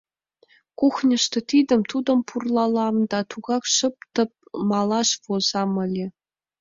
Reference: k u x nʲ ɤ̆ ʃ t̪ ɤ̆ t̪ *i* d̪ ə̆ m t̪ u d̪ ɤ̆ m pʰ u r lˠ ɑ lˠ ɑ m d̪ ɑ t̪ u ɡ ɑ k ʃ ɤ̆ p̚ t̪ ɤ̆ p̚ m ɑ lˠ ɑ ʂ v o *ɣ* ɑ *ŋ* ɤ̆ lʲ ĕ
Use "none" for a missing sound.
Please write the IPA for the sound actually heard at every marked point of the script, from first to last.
i, z, m

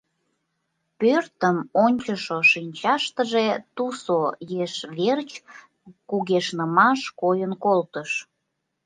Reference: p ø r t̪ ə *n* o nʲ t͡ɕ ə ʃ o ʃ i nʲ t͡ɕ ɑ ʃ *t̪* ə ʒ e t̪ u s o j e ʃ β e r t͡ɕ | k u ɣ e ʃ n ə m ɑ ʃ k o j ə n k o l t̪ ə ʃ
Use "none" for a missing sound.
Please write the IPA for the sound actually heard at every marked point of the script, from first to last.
m, t̪

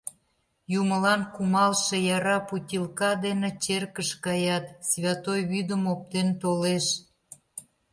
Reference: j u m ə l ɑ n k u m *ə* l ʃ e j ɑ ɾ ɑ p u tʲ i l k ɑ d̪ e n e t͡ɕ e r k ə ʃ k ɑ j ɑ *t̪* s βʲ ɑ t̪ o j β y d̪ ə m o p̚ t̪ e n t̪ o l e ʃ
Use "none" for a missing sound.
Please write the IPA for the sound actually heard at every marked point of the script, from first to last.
ɑ, t̪

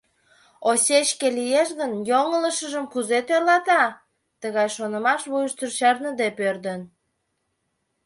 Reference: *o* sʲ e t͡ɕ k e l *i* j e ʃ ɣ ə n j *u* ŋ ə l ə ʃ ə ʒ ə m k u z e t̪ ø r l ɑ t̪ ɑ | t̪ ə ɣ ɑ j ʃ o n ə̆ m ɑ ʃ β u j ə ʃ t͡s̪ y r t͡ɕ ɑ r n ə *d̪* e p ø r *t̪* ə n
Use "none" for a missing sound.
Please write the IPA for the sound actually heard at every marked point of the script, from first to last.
o, i, o, d̪, d̪

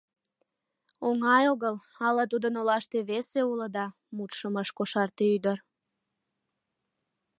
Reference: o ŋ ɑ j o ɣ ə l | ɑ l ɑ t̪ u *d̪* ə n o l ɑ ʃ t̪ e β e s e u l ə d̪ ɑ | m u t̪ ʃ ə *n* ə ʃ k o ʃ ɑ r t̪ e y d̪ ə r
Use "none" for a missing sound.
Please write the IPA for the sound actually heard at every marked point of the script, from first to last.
d̪, m

